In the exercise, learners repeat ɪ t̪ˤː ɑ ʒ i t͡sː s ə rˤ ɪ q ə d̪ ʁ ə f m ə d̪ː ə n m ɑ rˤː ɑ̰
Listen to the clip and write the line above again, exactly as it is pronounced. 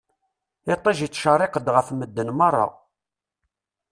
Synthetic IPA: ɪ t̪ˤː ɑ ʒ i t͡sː ʃ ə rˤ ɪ q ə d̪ ʁ ə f m ə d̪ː ə n m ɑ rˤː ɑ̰